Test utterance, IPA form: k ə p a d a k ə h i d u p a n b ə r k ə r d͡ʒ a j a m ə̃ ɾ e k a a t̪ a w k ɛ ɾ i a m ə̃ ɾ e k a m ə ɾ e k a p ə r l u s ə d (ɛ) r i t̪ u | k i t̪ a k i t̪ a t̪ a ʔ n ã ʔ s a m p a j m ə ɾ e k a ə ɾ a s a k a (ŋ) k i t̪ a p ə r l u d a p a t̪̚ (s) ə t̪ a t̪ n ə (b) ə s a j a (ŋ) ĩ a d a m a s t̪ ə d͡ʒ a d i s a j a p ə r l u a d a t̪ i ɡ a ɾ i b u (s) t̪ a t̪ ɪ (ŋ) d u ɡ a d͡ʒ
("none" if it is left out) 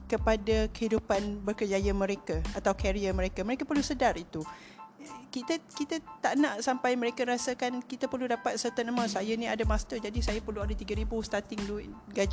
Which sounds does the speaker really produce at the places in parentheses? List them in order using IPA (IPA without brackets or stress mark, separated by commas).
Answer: a, n, s, m, n, s, ŋ